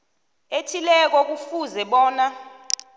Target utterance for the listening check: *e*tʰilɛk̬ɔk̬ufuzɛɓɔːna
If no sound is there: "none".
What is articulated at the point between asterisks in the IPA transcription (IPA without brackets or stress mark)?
e